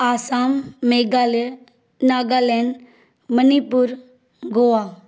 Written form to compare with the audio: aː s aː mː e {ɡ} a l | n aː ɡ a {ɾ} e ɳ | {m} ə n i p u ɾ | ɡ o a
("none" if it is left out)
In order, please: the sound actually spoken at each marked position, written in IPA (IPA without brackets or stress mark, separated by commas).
ɡ, l, m